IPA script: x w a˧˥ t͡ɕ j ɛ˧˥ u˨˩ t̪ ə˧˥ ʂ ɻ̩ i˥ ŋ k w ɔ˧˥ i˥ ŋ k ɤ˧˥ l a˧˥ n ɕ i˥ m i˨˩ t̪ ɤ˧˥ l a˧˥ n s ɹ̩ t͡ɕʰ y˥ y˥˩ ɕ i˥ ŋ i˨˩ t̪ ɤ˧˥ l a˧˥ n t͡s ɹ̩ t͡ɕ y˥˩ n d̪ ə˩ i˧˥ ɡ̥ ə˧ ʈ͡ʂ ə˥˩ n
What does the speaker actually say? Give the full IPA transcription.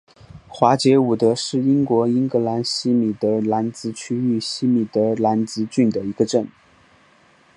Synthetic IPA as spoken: x w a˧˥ t͡ɕ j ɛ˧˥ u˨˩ t̪ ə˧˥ ʂ ɻ̩ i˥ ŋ k w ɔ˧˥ i˥ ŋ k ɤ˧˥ l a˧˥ n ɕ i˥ m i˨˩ t̪ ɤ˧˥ l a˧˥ n t͡s ɹ̩ t͡ɕʰ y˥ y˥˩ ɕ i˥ m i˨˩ t̪ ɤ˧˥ l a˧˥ n t͡s ɹ̩ t͡ɕ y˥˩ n d̪ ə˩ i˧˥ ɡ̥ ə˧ ʈ͡ʂ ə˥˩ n

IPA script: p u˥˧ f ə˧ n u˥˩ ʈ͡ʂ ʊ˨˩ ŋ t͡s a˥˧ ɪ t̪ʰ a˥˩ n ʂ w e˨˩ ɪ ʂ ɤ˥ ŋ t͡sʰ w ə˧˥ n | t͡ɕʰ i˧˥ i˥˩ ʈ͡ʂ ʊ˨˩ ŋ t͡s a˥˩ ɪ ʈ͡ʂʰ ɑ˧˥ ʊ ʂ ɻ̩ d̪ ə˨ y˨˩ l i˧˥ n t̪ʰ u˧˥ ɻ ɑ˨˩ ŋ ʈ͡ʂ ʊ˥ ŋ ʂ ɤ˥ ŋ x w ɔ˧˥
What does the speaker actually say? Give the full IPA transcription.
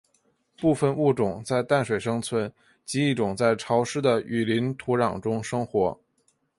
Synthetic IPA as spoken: p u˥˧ f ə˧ n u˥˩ ʈ͡ʂ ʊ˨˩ ŋ t͡s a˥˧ ɪ t̪ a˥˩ n ʂ w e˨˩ ɪ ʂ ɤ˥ ŋ t͡sʰ w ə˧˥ n | t͡ɕ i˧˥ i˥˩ ʈ͡ʂ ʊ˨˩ ŋ t͡s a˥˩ ɪ ʈ͡ʂʰ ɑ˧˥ ʊ ʂ ɻ̩ d̪ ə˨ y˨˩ l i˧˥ n t̪ʰ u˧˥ ɻ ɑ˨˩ ŋ ʈ͡ʂ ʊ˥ ŋ ʂ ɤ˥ ŋ x w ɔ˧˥

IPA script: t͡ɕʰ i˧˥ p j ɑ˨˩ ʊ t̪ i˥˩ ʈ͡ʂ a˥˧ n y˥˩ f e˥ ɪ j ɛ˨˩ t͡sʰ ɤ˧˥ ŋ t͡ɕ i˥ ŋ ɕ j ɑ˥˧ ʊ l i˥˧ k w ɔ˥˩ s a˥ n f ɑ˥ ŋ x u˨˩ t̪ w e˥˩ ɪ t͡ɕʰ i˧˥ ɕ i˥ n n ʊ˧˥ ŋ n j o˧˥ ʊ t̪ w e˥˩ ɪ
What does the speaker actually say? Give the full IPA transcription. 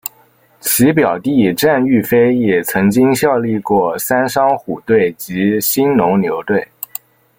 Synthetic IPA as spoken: t͡ɕʰ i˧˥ p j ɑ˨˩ ʊ t̪ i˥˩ ʈ͡ʂ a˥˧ n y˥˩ f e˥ ɪ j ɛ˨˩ t͡sʰ ɤ˧˥ ŋ t͡ɕ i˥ ŋ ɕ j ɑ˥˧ ʊ l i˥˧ k w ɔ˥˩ s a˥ n ʂ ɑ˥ ŋ x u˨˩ t̪ w e˥˩ ɪ t͡ɕ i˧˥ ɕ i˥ n n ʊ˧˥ ŋ n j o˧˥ ʊ t̪ w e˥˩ ɪ

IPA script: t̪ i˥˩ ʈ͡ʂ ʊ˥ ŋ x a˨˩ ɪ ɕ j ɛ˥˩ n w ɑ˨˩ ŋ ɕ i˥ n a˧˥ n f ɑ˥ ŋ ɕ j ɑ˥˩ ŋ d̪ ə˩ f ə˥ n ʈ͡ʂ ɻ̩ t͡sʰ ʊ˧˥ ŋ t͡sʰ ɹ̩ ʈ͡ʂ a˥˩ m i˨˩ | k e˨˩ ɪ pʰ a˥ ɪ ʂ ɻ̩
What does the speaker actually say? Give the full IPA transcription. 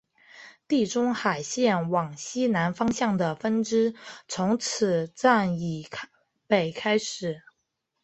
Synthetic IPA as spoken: t̪ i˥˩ ʈ͡ʂ ʊ˥ ŋ x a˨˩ ɪ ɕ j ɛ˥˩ n w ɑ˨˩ ŋ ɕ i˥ n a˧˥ n f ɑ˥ ŋ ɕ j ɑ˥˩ ŋ d̪ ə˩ f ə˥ n ʈ͡ʂ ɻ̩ t͡sʰ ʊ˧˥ ŋ t͡sʰ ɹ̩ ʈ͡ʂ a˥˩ n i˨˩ | p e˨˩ ɪ kʰ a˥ ɪ ʂ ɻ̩

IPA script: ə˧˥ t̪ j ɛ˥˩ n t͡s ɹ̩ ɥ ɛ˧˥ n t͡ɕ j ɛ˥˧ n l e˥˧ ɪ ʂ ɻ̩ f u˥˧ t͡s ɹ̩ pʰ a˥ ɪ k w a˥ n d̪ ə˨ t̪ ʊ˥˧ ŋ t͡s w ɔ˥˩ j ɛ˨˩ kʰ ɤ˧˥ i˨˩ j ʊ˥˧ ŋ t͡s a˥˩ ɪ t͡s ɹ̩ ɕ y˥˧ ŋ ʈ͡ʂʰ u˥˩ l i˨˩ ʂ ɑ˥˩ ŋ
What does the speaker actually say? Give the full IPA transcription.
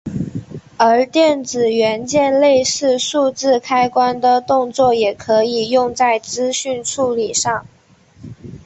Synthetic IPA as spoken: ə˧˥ t̪ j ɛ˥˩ n t͡s ɹ̩ ɥ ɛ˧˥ n t͡ɕ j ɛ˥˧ n l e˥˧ ɪ ʂ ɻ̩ ʂ u˥˧ t͡s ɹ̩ kʰ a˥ ɪ k w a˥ n d̪ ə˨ t̪ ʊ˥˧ ŋ t͡s w ɔ˥˩ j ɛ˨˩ kʰ ɤ˧˥ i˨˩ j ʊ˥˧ ŋ t͡s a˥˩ ɪ t͡s ɹ̩ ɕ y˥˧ n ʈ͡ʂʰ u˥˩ l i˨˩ ʂ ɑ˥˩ ŋ

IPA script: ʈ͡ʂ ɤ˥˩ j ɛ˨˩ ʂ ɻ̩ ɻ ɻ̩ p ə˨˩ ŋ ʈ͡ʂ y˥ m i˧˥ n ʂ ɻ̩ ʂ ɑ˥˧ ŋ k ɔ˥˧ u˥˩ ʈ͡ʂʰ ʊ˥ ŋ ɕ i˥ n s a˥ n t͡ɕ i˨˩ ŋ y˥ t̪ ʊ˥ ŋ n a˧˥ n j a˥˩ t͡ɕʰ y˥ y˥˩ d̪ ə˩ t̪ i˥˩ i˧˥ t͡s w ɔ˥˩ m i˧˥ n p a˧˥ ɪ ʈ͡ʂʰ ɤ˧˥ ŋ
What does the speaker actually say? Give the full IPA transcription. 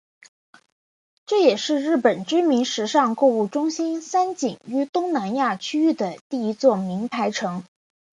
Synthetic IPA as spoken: ʈ͡ʂ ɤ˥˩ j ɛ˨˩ ʂ ɻ̩ ɻ ɻ̩ p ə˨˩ n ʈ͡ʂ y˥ m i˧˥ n ʂ ɻ̩ ʂ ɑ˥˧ ŋ k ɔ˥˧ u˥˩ ʈ͡ʂ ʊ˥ ŋ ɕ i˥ n s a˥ n t͡ɕ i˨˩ ŋ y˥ t̪ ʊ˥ ŋ n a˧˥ n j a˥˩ t͡ɕʰ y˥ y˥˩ d̪ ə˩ t̪ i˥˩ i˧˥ t͡s w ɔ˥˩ m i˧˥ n pʰ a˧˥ ɪ ʈ͡ʂʰ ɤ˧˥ ŋ

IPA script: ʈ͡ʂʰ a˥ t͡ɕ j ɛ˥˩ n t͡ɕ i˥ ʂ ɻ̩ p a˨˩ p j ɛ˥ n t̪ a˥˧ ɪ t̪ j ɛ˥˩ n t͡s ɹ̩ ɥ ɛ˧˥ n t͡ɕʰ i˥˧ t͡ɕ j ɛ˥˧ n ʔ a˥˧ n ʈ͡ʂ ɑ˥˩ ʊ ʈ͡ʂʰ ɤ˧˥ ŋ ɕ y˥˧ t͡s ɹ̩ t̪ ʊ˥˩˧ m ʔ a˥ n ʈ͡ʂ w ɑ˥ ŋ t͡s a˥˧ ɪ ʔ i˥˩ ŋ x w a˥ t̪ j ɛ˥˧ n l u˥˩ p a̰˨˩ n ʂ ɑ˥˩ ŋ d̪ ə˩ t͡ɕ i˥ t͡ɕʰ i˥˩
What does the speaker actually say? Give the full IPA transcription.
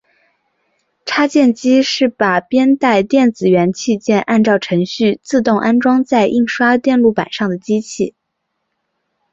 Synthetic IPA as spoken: ʈ͡ʂʰ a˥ t͡ɕ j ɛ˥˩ n t͡ɕ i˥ ʂ ɻ̩ p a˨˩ p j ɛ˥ n t̪ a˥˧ ɪ t̪ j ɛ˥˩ n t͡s ɹ̩ ɥ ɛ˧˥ n t͡ɕʰ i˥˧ t͡ɕ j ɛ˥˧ n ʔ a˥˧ n ʈ͡ʂ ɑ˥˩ ʊ ʈ͡ʂʰ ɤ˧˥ ŋ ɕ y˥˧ t͡s ɹ̩ t̪ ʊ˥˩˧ ŋ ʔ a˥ n ʈ͡ʂ w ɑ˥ ŋ t͡s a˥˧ ɪ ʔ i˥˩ ŋ ʂ w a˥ t̪ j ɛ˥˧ n l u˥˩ p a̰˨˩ n ʂ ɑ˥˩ ŋ d̪ ə˩ t͡ɕ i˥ t͡ɕʰ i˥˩

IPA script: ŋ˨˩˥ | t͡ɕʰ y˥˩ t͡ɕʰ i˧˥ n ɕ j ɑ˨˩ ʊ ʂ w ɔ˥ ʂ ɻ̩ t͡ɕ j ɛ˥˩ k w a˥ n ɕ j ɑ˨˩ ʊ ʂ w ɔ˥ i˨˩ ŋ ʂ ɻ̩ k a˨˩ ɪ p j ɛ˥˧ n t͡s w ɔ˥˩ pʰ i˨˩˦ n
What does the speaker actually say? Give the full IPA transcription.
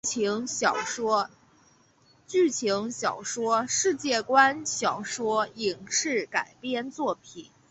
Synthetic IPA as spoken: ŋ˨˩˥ | t͡ɕ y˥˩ t͡ɕʰ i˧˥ ŋ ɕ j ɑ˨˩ ʊ ʂ w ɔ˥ ʂ ɻ̩ t͡ɕ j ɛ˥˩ k w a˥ n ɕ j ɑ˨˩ ʊ ʂ w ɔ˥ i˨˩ ŋ ʂ ɻ̩ k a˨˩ ɪ p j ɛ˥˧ n t͡s w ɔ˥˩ pʰ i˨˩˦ n

